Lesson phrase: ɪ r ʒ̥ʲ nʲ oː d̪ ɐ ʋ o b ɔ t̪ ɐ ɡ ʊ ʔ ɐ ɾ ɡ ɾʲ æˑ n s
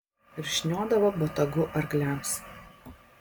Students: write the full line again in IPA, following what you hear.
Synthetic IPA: ɪ ɾ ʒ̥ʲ nʲ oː d̪ ɐ ʋ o b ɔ t̪ ɐ ɡ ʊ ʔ ɐ ɾ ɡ lʲ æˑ m s